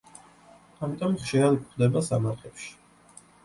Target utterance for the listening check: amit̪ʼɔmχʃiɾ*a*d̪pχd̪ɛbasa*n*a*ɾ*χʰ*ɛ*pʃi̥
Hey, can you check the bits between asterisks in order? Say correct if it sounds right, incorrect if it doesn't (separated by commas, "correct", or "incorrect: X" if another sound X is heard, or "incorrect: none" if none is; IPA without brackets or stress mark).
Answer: correct, incorrect: m, correct, correct